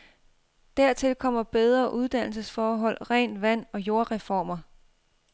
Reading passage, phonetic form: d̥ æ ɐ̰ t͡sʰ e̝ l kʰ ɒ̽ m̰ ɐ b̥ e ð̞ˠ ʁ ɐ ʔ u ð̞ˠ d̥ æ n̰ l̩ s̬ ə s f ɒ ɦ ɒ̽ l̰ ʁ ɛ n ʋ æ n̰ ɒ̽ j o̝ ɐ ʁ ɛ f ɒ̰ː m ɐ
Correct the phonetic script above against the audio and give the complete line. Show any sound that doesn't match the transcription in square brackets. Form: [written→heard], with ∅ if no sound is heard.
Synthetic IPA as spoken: d̥ æ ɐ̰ t͡sʰ e̝ l kʰ ɒ̽ m̰ ɐ b̥ e ð̞ˠ ʁ ɐ ʔ u ð̞ˠ d̥ æ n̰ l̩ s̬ ə s f [ɒ→ɒː] ɦ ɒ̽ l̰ ʁ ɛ n ʋ æ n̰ ɒ̽ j o̝ ɐ ʁ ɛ f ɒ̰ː m ɐ